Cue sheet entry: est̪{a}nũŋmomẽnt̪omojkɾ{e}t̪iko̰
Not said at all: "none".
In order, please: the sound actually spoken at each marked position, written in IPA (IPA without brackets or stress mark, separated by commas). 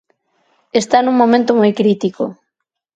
a, i